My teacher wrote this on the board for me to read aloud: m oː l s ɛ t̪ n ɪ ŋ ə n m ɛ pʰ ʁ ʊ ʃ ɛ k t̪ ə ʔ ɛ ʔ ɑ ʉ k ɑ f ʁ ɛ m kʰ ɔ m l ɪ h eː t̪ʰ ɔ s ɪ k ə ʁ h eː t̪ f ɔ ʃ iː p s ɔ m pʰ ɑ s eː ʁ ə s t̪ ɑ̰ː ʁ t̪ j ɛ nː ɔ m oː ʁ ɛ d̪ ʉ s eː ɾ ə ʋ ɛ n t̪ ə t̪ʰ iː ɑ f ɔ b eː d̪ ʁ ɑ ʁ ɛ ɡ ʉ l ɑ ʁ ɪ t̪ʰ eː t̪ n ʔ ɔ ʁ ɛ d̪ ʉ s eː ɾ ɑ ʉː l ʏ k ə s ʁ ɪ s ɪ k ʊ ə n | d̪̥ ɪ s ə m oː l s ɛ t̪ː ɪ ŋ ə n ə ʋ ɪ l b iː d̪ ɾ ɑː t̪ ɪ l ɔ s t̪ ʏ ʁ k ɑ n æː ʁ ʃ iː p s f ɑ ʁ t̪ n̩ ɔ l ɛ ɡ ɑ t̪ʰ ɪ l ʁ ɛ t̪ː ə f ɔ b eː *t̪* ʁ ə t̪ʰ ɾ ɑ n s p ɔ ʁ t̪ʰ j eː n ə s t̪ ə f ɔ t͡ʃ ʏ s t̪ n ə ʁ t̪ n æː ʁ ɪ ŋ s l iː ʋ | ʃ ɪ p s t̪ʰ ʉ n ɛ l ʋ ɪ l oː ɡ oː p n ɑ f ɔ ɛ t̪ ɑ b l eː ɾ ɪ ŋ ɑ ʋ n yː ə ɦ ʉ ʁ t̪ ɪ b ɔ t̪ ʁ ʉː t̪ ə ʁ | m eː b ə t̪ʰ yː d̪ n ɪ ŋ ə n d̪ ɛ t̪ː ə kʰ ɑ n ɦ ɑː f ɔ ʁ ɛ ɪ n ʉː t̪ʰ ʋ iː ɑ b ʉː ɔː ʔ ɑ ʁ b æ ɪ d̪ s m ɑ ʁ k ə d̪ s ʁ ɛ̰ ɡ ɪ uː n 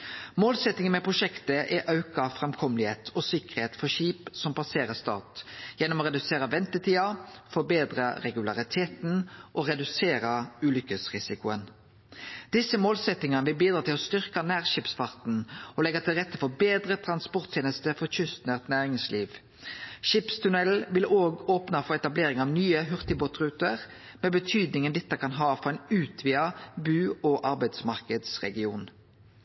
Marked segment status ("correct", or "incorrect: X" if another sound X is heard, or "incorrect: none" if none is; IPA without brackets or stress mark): incorrect: d̪